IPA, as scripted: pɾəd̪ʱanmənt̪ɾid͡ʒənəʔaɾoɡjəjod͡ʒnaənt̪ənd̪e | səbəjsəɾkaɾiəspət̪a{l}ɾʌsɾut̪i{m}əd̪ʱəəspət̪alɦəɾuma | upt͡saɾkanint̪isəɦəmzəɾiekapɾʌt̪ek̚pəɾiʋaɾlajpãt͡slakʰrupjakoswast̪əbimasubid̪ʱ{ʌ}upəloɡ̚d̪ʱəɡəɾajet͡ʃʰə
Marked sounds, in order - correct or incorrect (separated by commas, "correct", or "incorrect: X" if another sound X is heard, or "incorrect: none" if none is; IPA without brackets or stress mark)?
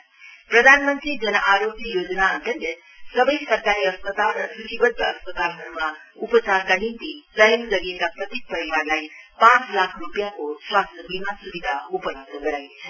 correct, incorrect: b, incorrect: a